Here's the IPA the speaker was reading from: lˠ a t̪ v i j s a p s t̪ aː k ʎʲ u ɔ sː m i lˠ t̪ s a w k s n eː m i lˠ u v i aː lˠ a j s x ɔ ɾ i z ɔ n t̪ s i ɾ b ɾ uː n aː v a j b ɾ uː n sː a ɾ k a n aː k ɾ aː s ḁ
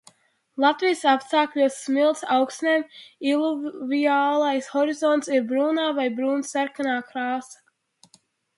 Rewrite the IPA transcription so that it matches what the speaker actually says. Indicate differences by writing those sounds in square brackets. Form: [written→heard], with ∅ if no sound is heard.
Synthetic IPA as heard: lˠ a t̪ v i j s a p s t̪ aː k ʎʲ u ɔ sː m i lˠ t̪ s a w k s n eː m i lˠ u v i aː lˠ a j s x ɔ ɾ i z ɔ n t̪ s i ɾ b ɾ uː n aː v a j b ɾ uː n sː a ɾ k a n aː k ɾ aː s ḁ